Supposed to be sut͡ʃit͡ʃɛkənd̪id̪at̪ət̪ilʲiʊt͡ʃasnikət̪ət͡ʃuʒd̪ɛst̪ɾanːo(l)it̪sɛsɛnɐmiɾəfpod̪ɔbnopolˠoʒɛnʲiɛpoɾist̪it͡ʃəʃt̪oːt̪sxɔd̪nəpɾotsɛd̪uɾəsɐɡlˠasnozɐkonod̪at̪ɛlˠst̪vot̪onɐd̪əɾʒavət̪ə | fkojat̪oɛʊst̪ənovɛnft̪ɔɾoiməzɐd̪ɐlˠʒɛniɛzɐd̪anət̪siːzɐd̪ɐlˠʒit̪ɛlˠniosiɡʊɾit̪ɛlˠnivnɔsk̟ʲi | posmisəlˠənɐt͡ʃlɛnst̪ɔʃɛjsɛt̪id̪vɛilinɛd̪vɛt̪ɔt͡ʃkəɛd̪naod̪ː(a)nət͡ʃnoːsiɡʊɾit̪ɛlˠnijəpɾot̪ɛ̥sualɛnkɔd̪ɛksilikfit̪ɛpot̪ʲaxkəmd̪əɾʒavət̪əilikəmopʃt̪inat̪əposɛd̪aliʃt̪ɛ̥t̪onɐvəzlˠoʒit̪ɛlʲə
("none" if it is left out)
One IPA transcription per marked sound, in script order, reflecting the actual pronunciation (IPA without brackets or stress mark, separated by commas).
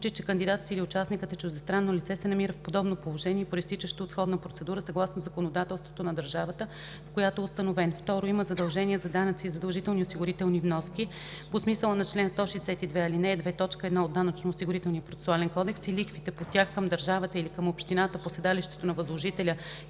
l, a